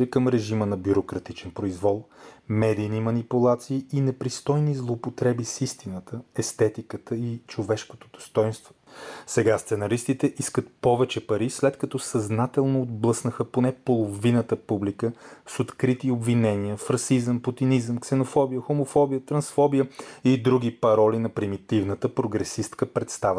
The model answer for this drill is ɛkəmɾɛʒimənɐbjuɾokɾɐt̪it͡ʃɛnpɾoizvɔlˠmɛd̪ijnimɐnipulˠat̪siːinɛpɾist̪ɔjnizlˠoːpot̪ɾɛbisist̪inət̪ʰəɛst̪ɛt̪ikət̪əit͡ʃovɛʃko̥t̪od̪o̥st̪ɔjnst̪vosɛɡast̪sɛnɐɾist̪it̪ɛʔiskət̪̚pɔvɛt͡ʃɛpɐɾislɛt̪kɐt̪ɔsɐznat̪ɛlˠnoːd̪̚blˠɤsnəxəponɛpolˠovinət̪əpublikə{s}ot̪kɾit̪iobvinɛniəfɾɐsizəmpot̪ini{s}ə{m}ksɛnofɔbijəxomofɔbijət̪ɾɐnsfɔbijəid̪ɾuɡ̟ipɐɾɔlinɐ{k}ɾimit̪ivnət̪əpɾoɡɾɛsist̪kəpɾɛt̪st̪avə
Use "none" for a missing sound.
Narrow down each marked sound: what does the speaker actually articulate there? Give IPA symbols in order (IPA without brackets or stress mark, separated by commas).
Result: s, z, m, p